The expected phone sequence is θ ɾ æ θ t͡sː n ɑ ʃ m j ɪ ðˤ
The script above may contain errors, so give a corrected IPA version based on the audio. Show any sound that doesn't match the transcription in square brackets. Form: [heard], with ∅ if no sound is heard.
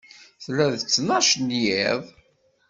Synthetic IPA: θ [l] æ [ð] t͡sː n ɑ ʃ [n] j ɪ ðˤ